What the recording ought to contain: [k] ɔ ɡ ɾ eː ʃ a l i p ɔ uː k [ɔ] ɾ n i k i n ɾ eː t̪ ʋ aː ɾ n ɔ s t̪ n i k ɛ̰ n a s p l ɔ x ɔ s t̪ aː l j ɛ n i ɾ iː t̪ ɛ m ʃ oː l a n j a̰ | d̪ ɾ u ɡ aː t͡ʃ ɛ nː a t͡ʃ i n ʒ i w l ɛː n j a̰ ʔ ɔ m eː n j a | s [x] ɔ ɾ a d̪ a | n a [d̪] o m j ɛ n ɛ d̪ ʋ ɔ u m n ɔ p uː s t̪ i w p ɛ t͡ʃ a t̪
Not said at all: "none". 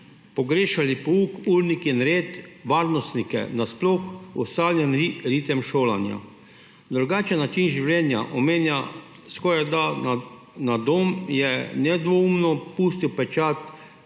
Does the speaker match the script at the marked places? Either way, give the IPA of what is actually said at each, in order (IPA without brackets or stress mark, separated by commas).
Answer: p, u, k, d̪